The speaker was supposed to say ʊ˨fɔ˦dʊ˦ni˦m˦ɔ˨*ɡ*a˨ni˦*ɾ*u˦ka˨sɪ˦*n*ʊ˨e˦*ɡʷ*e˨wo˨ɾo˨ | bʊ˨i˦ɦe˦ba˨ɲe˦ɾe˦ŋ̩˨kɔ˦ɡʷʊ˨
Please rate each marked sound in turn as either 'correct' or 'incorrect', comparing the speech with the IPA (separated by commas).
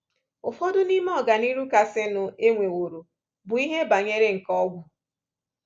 correct, correct, correct, incorrect